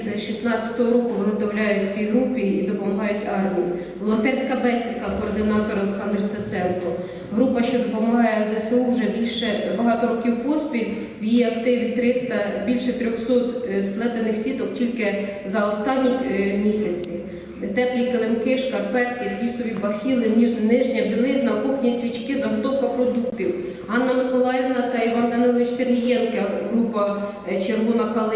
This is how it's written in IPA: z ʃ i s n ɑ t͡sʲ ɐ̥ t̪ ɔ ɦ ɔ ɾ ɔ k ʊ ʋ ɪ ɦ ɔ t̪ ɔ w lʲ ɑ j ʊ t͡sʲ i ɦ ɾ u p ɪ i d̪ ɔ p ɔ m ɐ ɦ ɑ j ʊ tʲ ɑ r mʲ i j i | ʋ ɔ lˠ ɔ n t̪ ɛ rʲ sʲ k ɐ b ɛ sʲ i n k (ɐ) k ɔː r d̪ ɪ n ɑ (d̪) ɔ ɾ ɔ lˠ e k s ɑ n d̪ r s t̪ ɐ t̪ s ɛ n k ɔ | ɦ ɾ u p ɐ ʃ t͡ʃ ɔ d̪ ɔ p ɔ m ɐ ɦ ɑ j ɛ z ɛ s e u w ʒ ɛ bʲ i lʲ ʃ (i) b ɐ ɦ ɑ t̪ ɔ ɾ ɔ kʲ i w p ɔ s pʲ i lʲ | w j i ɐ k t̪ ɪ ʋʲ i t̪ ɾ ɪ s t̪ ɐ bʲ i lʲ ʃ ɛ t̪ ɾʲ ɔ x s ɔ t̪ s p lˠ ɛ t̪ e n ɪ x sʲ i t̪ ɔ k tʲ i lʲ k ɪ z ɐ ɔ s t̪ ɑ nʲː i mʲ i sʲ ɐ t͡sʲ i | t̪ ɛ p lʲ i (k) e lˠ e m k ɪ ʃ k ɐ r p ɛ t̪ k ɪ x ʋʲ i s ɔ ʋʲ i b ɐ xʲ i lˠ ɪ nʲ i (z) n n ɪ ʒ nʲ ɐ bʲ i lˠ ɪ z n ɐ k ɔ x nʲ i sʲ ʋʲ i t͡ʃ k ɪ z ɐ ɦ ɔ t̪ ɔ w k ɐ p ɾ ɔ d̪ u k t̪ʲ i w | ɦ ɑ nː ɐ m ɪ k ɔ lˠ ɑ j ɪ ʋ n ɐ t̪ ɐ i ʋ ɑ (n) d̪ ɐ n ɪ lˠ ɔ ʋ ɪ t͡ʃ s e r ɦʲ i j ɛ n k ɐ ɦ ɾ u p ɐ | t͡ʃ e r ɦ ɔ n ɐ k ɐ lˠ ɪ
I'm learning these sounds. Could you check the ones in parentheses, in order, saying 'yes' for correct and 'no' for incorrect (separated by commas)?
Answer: yes, no, no, yes, no, yes